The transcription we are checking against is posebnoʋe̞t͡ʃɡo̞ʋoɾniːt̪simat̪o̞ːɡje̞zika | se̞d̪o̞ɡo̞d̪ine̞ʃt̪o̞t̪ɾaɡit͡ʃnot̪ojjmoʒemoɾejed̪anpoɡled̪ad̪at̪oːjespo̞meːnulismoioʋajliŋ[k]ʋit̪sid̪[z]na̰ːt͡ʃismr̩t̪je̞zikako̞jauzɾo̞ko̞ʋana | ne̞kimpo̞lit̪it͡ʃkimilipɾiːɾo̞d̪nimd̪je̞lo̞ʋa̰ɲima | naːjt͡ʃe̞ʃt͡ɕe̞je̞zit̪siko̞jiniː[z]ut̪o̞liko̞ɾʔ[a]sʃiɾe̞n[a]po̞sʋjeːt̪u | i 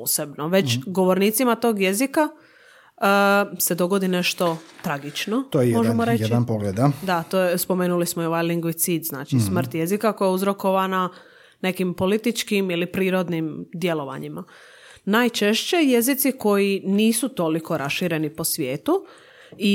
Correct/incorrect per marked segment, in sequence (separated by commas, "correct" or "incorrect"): incorrect, correct, incorrect, correct, incorrect